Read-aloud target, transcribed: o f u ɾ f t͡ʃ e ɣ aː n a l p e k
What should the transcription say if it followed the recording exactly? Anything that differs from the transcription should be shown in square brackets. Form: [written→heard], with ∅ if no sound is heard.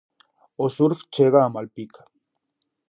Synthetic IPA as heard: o [f→s] u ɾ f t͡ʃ e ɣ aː [n→m] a l p [e→i] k